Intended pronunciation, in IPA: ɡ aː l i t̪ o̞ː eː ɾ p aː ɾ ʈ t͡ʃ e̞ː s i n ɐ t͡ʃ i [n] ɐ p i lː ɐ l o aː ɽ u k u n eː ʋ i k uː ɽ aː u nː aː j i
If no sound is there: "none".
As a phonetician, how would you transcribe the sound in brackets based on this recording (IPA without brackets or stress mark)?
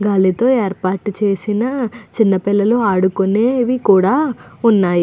nː